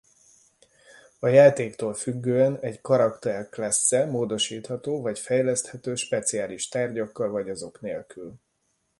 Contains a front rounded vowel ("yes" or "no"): yes